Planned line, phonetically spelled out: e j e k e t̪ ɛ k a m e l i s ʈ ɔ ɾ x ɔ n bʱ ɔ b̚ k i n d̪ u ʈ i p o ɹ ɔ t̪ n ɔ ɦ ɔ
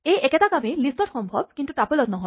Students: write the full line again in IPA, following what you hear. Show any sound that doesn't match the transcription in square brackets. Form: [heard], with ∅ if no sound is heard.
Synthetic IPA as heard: e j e k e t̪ [a] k a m e l i s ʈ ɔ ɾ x ɔ [m] bʱ ɔ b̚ k i n [t̪] u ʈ [a] p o [l] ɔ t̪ n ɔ ɦ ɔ